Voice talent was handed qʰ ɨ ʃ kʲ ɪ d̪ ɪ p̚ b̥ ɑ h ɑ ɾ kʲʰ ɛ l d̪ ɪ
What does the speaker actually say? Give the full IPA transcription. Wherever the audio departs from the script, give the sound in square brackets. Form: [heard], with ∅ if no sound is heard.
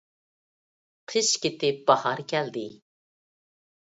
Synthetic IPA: qʰ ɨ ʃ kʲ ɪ [t̪] ɪ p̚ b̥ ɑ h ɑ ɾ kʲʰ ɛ l d̪ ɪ

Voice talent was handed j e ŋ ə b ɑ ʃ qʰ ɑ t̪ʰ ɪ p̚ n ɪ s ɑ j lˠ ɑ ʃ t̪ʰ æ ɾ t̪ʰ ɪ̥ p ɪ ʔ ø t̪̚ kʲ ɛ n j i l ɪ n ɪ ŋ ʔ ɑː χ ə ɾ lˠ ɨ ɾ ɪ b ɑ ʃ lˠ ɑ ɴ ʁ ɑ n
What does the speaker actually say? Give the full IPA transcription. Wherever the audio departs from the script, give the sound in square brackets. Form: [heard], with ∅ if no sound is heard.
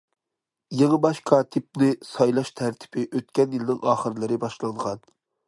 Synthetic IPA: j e ŋ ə b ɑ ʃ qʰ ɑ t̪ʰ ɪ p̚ n ɪ s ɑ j lˠ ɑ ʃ t̪ʰ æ ɾ t̪ʰ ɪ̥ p ɪ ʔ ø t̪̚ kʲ ɛ n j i l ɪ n ɪ ŋ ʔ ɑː χ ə ɾ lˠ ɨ ɾ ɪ b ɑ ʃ lˠ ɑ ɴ ʁ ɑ n

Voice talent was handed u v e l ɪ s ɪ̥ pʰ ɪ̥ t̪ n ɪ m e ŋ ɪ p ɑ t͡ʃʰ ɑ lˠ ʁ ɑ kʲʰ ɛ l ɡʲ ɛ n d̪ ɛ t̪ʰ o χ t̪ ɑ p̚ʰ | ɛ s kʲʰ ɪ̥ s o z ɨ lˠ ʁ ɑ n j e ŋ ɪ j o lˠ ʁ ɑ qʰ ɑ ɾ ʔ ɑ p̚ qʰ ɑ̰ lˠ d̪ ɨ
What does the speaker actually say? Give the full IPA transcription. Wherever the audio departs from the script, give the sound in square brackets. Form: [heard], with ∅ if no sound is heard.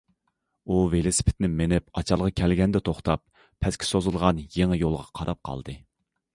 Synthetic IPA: u v e l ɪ s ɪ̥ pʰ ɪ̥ t̪ n ɪ m e [n] ɪ p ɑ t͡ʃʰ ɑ lˠ ʁ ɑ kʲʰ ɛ l ɡʲ ɛ n d̪ ɛ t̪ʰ o χ t̪ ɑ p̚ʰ | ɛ s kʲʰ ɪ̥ s o z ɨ lˠ ʁ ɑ n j e ŋ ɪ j o lˠ ʁ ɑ qʰ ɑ ɾ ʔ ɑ p̚ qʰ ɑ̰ lˠ d̪ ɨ

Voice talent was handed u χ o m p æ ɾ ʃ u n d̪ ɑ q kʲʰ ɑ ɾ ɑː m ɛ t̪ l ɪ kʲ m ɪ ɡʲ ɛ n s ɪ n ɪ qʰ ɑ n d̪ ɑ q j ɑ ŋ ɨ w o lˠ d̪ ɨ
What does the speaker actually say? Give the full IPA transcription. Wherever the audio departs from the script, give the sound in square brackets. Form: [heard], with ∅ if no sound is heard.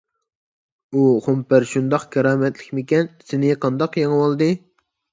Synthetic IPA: u χ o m p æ ɾ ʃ u n d̪ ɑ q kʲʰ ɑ ɾ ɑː m ɛ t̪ l ɪ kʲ m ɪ [kʲ] ɛ n s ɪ n ɪ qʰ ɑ n d̪ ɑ q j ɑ ŋ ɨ w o lˠ d̪ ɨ

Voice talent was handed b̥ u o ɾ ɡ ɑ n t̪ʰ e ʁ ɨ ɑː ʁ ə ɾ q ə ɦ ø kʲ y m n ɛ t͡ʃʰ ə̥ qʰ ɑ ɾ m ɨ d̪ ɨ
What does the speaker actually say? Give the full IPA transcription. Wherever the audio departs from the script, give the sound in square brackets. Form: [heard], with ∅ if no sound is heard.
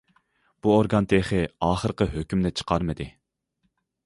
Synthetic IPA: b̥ u o ɾ ɡ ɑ n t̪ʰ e [χ] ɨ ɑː [χ] ə ɾ q ə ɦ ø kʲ y m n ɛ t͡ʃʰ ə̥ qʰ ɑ ɾ m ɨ d̪ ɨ

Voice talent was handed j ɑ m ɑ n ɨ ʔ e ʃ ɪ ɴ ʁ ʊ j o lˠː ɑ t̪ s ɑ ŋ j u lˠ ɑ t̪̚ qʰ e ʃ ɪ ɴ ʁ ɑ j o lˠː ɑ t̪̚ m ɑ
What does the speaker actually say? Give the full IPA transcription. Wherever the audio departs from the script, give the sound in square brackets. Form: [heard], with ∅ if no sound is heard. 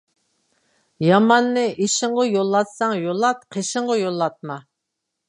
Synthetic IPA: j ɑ m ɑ [nː] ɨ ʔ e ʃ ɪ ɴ ʁ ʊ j o lˠː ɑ t̪ s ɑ ŋ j [o] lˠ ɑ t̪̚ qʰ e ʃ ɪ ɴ ʁ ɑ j o lˠː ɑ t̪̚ m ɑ

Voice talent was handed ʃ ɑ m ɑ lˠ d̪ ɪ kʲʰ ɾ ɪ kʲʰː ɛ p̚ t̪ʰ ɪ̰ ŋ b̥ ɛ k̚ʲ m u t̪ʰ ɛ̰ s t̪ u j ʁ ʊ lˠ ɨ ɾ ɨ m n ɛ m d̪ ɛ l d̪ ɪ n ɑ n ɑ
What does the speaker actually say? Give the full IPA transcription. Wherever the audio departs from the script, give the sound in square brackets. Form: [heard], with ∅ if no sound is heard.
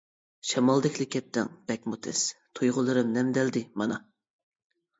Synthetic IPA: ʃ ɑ m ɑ lˠ d̪ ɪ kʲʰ [l] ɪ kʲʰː ɛ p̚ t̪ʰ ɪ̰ ŋ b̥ ɛ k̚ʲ m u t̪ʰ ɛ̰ s [t̪ʰ] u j ʁ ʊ lˠ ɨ ɾ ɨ m n ɛ m d̪ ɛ l d̪ ɪ [m] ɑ n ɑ

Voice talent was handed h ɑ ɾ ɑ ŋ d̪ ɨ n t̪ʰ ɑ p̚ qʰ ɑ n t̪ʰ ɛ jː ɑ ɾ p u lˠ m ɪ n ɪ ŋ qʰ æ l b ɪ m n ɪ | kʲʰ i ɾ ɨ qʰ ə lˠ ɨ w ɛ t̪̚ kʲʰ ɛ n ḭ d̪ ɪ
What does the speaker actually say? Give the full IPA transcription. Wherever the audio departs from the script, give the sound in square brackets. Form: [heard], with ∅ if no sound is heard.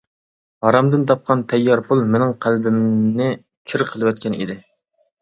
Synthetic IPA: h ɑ ɾ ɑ [m] d̪ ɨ n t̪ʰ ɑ p̚ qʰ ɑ n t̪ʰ ɛ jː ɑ ɾ p u lˠ m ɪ n ɪ ŋ qʰ æ l b ɪ m n ɪ | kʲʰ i ɾ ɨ qʰ ə lˠ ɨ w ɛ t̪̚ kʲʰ ɛ n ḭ d̪ ɪ

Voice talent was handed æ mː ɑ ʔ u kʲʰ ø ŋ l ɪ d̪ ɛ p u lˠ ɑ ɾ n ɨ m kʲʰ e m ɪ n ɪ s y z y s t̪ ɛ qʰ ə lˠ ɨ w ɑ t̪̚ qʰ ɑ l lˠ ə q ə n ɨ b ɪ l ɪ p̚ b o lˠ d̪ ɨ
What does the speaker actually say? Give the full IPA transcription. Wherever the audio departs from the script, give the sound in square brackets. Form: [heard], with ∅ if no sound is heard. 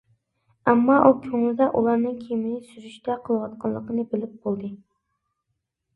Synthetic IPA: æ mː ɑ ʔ u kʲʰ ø ŋ l ɪ d̪ ɛ [ʔ] u lˠ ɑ ɾ n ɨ [ŋ] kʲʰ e m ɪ n ɪ s y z y [ʃ] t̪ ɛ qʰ ə lˠ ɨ w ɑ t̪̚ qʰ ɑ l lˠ ə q ə n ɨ b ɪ l ɪ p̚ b o lˠ d̪ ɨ

